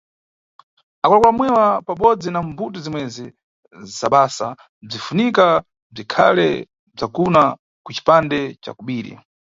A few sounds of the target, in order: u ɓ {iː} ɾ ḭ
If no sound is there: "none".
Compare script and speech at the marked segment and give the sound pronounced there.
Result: iː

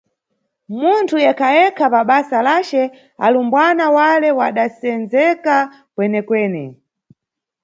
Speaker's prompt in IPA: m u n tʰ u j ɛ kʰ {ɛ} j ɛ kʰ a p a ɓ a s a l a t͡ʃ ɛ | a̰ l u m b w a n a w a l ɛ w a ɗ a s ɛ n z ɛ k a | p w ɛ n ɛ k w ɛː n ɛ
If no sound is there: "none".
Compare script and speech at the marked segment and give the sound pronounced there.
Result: a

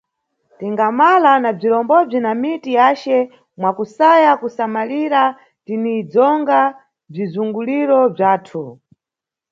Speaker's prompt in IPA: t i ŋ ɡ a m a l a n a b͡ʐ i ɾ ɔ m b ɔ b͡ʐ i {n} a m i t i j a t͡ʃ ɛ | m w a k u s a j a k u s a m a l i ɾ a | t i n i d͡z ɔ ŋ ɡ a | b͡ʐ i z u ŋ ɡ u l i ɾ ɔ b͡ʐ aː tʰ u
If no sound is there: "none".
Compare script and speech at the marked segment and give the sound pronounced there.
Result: n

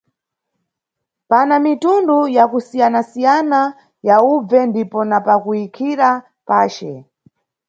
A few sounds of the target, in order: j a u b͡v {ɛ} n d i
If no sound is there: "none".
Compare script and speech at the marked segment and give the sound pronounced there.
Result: ɛ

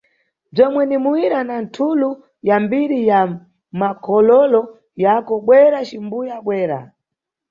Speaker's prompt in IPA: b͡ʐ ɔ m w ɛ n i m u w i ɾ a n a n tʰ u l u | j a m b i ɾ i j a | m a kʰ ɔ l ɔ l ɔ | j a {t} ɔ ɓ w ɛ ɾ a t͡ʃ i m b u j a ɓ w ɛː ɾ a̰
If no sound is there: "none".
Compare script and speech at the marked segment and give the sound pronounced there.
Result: k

